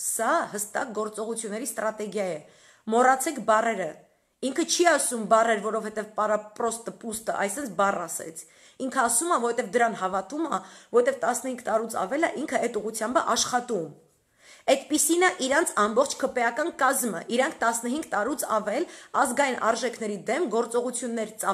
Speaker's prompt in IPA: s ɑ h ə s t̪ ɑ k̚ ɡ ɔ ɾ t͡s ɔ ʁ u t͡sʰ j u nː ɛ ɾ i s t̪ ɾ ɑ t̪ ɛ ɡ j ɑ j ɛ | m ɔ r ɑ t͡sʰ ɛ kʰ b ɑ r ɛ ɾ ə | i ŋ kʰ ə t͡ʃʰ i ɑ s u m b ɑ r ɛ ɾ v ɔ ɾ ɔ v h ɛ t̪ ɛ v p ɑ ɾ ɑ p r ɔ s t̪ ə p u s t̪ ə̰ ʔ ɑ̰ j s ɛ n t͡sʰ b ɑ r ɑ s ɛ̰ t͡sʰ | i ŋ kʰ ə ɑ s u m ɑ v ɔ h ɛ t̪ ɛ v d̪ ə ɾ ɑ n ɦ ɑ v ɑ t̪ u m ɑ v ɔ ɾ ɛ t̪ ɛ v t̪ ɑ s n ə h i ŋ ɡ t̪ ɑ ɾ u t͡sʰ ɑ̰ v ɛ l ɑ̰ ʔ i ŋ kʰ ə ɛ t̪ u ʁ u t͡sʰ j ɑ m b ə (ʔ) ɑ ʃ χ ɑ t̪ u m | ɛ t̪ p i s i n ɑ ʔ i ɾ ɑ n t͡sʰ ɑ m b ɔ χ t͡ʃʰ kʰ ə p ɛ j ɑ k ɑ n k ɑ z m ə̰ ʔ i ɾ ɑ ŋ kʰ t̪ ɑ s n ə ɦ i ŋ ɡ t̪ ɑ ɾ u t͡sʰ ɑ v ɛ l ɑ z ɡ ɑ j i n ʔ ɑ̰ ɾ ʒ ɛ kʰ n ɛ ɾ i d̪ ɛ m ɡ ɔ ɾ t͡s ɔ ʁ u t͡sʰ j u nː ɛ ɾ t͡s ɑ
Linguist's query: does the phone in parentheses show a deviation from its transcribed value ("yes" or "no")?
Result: no